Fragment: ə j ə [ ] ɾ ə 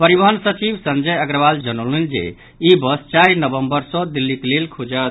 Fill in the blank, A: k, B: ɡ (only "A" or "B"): B